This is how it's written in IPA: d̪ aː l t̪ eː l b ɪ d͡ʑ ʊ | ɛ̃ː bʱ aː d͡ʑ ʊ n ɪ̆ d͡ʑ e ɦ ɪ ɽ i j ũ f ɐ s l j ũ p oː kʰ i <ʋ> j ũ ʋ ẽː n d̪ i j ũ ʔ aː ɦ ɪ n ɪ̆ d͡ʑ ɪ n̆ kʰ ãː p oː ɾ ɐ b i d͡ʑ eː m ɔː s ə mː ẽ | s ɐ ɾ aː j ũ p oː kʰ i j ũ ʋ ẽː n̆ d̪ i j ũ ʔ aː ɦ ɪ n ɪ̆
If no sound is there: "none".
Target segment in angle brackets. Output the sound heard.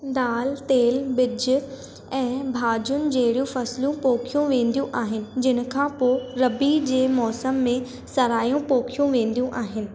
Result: none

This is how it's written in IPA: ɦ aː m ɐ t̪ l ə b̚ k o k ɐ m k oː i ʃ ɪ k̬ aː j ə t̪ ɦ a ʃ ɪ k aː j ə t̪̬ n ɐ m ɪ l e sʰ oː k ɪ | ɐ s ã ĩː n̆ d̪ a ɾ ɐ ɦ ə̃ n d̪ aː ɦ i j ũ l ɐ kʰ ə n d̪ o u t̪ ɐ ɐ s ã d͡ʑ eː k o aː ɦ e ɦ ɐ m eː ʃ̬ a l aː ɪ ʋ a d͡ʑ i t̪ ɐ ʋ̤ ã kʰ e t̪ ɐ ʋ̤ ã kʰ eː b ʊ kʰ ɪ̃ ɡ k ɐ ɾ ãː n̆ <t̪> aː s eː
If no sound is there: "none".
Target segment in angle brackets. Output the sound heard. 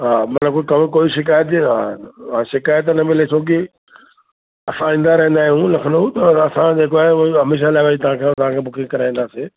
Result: d̪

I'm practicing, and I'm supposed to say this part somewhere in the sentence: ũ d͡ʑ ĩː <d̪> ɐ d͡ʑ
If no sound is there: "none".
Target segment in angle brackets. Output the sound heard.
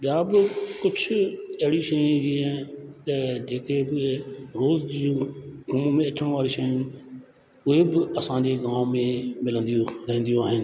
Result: t̪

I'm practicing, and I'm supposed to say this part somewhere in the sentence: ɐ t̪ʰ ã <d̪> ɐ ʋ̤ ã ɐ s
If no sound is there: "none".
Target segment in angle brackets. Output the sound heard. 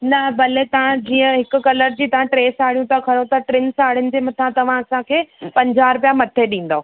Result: t̪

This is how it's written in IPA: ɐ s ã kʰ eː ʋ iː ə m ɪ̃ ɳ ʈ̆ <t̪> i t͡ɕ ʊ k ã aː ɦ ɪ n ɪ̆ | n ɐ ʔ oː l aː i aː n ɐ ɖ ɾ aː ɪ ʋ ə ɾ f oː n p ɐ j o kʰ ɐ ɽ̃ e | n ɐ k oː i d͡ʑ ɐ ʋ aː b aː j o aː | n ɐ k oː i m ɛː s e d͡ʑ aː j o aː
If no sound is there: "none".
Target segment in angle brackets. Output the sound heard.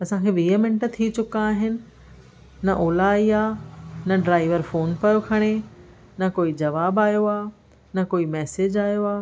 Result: t̪ʰ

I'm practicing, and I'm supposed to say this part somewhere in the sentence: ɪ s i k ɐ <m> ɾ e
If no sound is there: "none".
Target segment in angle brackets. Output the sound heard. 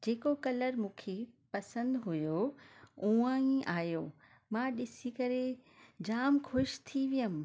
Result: none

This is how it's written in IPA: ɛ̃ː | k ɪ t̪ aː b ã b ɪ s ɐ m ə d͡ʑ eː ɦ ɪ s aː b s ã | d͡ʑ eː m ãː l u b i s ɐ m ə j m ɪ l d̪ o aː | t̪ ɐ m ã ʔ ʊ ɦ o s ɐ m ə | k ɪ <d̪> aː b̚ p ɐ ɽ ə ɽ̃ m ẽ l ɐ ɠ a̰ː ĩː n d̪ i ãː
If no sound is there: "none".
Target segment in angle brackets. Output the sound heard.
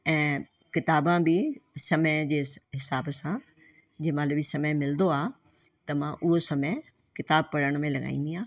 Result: t̪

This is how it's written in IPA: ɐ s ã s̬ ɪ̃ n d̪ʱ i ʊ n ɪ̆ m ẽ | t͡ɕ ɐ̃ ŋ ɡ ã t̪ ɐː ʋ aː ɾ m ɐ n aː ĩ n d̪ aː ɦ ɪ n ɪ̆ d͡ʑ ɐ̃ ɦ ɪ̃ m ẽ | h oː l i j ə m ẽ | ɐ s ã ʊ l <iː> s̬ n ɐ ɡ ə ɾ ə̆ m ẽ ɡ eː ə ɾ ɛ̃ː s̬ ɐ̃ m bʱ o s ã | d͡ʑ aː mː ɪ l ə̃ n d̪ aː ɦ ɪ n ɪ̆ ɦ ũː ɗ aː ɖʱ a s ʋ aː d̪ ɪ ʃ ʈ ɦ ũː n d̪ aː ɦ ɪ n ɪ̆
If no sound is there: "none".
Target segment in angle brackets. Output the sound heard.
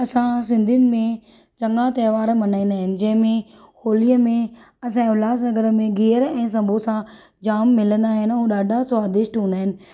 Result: aː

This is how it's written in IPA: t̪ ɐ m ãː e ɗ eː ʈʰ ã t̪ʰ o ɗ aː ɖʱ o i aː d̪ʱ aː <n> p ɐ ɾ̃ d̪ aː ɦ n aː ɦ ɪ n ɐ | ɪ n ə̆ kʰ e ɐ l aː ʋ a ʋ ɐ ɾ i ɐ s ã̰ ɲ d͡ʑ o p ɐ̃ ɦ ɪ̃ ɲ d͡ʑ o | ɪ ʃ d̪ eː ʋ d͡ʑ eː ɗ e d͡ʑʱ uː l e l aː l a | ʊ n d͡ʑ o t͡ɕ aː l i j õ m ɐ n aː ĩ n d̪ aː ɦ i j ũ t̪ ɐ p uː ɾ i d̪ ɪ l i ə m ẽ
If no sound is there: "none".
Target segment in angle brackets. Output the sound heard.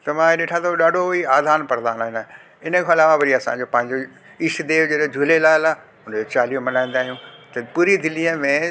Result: n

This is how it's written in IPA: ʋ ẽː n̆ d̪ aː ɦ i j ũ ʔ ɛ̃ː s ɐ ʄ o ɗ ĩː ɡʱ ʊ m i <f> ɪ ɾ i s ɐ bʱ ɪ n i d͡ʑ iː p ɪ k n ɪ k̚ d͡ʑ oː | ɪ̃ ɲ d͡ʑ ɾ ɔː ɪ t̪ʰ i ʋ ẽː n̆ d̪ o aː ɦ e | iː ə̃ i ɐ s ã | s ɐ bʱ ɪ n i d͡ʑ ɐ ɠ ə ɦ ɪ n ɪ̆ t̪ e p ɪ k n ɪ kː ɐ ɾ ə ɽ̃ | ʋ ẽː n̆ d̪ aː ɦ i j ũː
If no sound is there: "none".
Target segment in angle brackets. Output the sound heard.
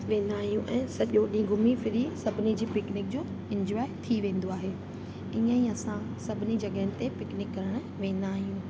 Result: f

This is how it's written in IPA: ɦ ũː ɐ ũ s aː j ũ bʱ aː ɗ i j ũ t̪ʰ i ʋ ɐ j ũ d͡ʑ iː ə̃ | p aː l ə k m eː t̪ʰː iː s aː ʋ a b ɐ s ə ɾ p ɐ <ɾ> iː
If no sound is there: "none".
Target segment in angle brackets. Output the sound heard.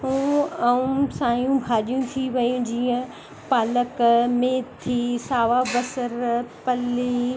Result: l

